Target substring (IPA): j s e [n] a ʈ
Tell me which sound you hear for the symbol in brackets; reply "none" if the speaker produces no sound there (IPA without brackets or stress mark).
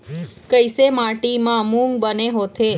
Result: m